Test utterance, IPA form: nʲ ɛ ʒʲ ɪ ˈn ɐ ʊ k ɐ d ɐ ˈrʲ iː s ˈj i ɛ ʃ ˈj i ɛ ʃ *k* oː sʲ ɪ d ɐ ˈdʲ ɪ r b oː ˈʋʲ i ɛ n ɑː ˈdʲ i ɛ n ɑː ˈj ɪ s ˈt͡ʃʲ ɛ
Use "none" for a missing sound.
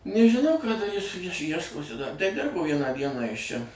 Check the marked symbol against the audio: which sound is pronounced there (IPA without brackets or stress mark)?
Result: k